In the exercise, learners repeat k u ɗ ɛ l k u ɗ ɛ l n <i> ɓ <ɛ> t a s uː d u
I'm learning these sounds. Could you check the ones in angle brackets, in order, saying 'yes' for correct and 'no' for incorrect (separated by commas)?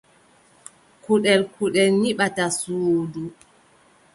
yes, no